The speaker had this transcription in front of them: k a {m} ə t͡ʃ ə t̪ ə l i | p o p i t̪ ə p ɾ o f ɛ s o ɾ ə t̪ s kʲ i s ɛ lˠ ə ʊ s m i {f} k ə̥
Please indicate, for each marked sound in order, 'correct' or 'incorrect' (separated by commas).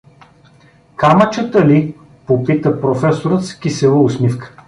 correct, correct